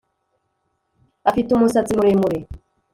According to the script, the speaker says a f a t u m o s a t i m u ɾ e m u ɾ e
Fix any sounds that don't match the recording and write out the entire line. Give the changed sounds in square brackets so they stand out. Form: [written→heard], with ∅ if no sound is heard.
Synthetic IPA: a f [a→i] t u m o s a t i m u ɾ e m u ɾ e